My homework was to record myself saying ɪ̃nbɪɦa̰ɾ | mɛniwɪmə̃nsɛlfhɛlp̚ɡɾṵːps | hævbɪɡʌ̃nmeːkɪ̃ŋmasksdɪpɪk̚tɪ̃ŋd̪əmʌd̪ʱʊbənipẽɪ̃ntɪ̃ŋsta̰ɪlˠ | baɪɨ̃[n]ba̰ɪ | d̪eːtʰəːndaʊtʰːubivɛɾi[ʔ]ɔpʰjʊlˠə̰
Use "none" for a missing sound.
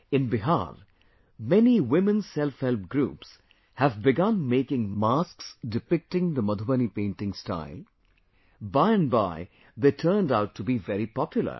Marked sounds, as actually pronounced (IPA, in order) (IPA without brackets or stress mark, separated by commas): n, p